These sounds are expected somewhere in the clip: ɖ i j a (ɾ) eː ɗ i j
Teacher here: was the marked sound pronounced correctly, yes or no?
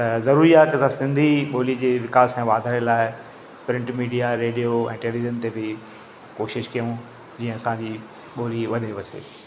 yes